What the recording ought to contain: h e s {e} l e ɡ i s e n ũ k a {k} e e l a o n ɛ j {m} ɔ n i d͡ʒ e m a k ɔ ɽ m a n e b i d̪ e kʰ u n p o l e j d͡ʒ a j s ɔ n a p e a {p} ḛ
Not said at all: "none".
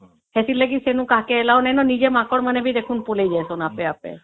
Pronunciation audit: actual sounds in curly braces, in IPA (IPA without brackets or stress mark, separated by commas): i, k, n, p